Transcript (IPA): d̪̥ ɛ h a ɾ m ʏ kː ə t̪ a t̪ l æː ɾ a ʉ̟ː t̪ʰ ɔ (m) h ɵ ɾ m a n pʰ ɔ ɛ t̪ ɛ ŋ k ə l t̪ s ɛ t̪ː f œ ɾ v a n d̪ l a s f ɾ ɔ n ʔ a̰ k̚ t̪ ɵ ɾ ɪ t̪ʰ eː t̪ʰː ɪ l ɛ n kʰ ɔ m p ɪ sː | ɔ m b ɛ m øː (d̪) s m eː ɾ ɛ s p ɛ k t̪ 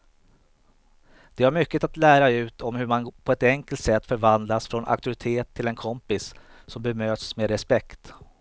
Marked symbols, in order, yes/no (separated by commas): yes, no